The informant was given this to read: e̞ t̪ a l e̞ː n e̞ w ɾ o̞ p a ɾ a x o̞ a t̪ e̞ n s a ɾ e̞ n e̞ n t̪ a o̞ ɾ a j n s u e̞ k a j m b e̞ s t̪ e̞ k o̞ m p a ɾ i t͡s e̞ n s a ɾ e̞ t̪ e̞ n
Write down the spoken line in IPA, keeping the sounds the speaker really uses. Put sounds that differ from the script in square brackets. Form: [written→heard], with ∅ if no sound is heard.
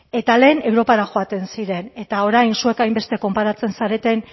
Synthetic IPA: e̞ t̪ a l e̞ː n e̞ w ɾ o̞ p a ɾ a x o̞ a t̪ e̞ n s [a→i] ɾ e̞ n e̞ [n→∅] t̪ a o̞ ɾ a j n s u e̞ k a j m b e̞ s t̪ e̞ k o̞ m p a ɾ [i→a] t͡s e̞ n s a ɾ e̞ t̪ e̞ n